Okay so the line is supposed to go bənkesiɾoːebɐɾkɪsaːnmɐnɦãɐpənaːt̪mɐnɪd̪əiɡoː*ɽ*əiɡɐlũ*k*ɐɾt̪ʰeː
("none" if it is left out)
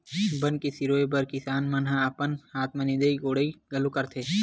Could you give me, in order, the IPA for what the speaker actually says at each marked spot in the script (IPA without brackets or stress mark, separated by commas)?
ɽ, k